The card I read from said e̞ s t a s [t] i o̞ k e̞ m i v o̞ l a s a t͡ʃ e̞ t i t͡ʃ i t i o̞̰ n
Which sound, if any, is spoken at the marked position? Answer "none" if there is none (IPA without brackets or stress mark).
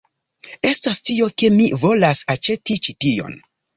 t